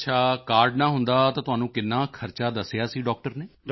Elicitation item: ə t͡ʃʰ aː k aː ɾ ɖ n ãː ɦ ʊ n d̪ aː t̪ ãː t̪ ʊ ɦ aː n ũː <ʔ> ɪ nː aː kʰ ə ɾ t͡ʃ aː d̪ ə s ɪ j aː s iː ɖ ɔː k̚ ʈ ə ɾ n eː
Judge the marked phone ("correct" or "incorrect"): incorrect